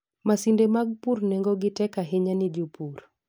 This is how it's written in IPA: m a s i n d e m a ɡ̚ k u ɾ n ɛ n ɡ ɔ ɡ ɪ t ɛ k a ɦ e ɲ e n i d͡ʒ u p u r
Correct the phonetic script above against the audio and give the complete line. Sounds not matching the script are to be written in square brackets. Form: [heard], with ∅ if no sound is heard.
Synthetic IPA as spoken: m a s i n d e m a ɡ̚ [p] u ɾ n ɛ [ŋ] ɡ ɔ ɡ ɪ t ɛ k a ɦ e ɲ [a] n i d͡ʒ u p u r